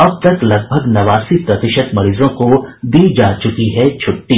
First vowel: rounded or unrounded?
unrounded